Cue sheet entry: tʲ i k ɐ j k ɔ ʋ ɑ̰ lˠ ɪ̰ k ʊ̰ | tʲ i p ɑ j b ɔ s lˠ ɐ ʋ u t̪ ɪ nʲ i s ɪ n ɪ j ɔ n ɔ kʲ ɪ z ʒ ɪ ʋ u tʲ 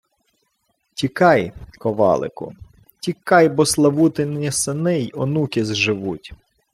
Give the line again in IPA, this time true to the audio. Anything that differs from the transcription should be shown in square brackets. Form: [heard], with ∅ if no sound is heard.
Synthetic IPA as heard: tʲ i k [ɑ] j k ɔ ʋ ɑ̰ lˠ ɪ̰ k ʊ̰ | tʲ i [k] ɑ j b ɔ s lˠ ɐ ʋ u t̪ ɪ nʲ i s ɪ n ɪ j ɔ n [u] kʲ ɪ z ʒ ɪ ʋ u tʲ

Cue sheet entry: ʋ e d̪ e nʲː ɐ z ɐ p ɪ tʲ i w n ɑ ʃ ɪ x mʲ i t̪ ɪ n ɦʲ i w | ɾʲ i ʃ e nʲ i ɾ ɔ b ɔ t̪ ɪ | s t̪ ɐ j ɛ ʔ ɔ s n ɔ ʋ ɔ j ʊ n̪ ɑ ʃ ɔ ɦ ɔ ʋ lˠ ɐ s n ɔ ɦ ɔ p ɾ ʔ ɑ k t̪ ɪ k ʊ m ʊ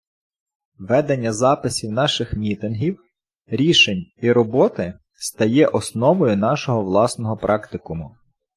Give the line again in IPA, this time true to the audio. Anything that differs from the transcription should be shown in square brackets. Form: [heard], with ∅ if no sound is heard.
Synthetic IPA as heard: ʋ [ɛ] d̪ e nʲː ɐ z [ɑ] p ɪ [sʲ] i w n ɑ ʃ ɪ x mʲ i t̪ ɪ n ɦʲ i w | ɾʲ i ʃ e nʲ i ɾ ɔ b ɔ t̪ ɪ | s t̪ ɐ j ɛ ʔ ɔ s n ɔ ʋ ɔ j ʊ n̪ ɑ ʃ ɔ ɦ ɔ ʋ lˠ [ɑ] s n ɔ ɦ ɔ p ɾ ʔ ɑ k t̪ ɪ k ʊ m ʊ

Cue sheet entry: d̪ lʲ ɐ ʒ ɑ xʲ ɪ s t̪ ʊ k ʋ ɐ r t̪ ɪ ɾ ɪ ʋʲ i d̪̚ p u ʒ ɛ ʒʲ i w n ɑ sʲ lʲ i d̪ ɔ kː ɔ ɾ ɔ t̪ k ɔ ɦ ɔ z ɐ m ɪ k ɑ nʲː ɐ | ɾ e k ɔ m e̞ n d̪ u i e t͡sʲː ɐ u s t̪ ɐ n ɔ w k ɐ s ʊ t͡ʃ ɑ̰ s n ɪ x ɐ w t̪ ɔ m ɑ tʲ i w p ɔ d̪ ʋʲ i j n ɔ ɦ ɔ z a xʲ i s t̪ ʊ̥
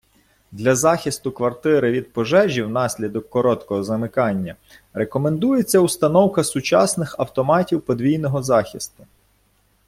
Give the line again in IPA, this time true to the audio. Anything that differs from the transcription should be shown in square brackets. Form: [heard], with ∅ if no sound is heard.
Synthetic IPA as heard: d̪ lʲ ɐ [z] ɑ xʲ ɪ s t̪ ʊ k ʋ ɐ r t̪ ɪ ɾ ɪ ʋʲ i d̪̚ p [ɔ] ʒ ɛ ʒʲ i w n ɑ sʲ lʲ i d̪ ɔ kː ɔ ɾ ɔ t̪ k ɔ ɦ ɔ z ɐ m ɪ k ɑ nʲː ɐ | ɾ e k ɔ m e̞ n d̪ u [j] e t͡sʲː ɐ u s t̪ ɐ n ɔ w k ɐ s ʊ t͡ʃ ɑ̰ s n ɪ x ɐ w t̪ ɔ m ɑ tʲ i w p ɔ d̪ ʋʲ i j n ɔ ɦ ɔ z [ɑ] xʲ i s t̪ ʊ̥

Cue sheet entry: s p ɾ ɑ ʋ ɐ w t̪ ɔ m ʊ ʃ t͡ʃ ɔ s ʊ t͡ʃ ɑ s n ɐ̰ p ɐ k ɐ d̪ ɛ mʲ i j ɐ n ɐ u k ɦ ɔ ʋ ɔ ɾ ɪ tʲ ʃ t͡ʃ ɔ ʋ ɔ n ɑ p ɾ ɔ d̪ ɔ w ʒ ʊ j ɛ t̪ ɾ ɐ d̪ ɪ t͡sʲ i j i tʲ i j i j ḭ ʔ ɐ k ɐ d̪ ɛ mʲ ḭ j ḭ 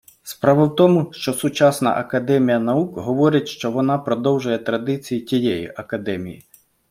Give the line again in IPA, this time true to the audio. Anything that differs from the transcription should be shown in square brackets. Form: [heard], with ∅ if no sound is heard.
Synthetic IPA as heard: s p ɾ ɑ ʋ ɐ w t̪ ɔ m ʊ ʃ t͡ʃ ɔ s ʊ t͡ʃ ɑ s n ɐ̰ [ʔ] ɐ k ɐ d̪ ɛ mʲ i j ɐ n ɐ u k ɦ ɔ ʋ ɔ ɾ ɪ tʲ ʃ t͡ʃ ɔ ʋ ɔ n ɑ p ɾ ɔ d̪ ɔ w ʒ ʊ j ɛ t̪ ɾ ɐ d̪ ɪ t͡sʲ i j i tʲ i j [ɛ] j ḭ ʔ ɐ k ɐ d̪ ɛ mʲ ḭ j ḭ

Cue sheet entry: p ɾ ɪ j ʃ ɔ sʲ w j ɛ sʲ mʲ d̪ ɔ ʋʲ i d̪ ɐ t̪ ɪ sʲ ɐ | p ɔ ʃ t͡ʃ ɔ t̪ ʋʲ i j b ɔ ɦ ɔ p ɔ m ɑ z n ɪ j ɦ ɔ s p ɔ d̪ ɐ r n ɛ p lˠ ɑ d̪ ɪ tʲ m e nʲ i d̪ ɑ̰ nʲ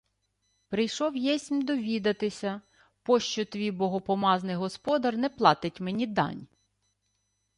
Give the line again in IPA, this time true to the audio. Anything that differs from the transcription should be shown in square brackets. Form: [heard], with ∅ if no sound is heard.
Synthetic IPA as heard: p ɾ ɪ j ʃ ɔ [∅] w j ɛ sʲ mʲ d̪ ɔ ʋʲ i d̪ ɐ t̪ ɪ sʲ ɐ | p ɔ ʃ t͡ʃ ɔ t̪ ʋʲ i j b ɔ ɦ ɔ p ɔ m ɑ z n ɪ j ɦ ɔ s p ɔ d̪ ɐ r n ɛ p lˠ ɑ [t̪] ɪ tʲ m e nʲ i d̪ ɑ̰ nʲ

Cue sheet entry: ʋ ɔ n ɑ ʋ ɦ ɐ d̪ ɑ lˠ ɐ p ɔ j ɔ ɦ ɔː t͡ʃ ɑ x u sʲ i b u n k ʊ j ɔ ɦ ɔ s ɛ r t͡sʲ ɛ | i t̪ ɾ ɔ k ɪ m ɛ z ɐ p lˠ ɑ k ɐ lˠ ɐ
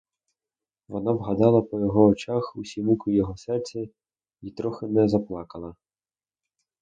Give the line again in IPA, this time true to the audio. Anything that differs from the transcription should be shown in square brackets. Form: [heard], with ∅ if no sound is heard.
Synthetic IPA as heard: ʋ ɔ n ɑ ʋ ɦ ɐ d̪ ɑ lˠ ɐ p ɔ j ɔ ɦ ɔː t͡ʃ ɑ x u sʲ i [m] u [∅] k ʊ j ɔ ɦ ɔ s ɛ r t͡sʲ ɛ | i t̪ ɾ ɔ [x] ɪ [n] ɛ z ɐ p lˠ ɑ k ɐ lˠ ɐ

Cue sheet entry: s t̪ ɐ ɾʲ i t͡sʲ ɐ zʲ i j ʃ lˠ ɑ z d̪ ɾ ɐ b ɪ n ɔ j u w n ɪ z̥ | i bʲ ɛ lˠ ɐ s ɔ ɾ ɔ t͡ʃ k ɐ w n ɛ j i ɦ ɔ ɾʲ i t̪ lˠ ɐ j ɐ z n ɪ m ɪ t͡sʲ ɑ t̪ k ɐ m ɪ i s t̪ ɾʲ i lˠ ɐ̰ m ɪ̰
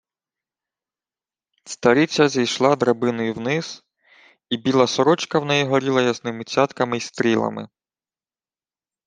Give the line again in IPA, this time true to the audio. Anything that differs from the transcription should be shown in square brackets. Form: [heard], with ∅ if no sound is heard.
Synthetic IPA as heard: s t̪ ɐ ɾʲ i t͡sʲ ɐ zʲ i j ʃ lˠ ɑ [∅] d̪ ɾ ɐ b ɪ n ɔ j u w n ɪ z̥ | i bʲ [i] lˠ ɐ s ɔ ɾ ɔ t͡ʃ k ɐ w n ɛ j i ɦ ɔ ɾʲ i [∅] lˠ ɐ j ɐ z n ɪ m ɪ t͡sʲ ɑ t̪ k ɐ m ɪ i s t̪ ɾʲ i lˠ ɐ̰ m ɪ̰

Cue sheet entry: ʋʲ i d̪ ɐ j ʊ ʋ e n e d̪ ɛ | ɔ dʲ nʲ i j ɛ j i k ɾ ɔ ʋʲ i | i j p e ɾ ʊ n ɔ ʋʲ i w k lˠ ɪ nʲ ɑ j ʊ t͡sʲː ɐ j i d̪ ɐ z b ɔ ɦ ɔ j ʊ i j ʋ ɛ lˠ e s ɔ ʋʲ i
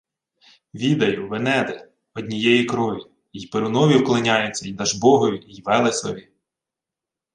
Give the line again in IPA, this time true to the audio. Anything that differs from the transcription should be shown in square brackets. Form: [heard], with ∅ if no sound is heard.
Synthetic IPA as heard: ʋʲ i d̪ ɐ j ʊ ʋ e n [ɛ] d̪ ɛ | ɔ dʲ nʲ i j ɛ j i k ɾ ɔ ʋʲ i | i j p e ɾ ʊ n ɔ ʋʲ i w k lˠ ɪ nʲ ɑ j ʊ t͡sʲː ɐ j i d̪ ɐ [ʒ] b ɔ ɦ ɔ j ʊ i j ʋ ɛ lˠ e s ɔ ʋʲ i

